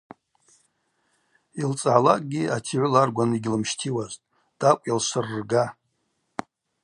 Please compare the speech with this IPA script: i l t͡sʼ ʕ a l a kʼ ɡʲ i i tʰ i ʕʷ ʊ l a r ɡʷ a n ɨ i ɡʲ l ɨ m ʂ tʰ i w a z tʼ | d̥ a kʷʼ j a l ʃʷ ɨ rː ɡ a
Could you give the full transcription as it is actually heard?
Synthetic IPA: i l t͡sʼ ʕ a l a kʼ ɡʲ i a tʰ i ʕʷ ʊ l a r ɡʷ a n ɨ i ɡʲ l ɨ m ʃ tʰ i w a z tʼ | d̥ a kʷʼ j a l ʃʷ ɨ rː ɡ a